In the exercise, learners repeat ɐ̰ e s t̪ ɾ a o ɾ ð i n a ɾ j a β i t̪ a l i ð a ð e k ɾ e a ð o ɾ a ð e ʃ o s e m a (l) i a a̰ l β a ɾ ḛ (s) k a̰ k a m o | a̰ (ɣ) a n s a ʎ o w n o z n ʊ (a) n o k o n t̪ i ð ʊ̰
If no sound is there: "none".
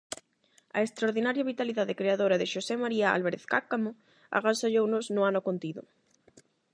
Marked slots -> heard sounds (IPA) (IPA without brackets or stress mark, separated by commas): ɾ, θ, ɣ, a